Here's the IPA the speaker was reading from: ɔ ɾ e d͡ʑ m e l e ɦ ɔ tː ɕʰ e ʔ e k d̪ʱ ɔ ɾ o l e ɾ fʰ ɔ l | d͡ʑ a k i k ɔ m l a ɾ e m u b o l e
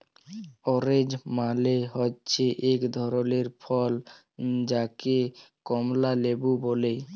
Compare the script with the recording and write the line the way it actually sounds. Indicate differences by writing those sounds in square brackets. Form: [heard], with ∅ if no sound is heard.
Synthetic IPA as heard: ɔ ɾ e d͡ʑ m [a] l e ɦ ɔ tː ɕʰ e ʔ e k d̪ʱ ɔ ɾ o l e ɾ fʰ ɔ l | d͡ʑ a k [e] k ɔ m l a [l] e [b] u b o l e